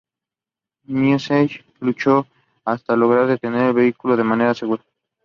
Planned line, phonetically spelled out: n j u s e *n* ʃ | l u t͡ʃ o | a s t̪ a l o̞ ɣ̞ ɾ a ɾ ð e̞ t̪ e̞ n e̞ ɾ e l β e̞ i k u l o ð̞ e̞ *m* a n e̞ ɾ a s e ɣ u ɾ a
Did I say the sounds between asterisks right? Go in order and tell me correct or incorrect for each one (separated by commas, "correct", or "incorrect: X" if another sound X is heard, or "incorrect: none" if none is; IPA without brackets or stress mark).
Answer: incorrect: none, correct